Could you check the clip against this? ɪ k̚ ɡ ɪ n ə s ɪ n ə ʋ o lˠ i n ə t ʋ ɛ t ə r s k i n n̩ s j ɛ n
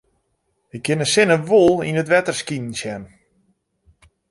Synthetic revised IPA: ɪ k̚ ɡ ɪ n ə s ɪ n ə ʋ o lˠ i n ə t ʋ ɛ t ə r s k i n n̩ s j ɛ n